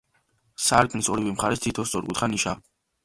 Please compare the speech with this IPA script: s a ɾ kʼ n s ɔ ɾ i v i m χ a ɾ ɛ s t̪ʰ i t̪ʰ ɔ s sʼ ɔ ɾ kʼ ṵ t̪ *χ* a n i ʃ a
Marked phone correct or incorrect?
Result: correct